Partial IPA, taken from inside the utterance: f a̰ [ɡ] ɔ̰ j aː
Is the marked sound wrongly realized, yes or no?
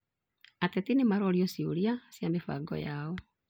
no